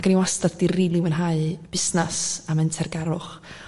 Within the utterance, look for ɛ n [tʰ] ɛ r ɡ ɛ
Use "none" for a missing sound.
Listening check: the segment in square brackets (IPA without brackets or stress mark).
tʰ